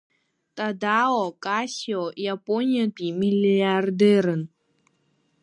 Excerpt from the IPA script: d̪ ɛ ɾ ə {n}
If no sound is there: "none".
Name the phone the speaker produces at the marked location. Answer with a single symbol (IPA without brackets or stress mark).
n